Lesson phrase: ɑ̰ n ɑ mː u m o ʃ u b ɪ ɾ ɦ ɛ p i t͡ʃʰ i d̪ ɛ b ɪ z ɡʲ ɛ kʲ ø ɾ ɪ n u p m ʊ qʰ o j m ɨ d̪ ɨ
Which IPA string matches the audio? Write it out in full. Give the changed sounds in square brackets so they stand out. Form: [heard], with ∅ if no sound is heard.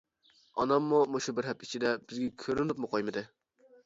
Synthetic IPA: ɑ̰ n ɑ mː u m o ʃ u b ɪ ɾ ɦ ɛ p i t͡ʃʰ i d̪ ɛ b ɪ z ɡʲ ɛ [kʲʰ] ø ɾ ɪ n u p m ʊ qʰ o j m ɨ d̪ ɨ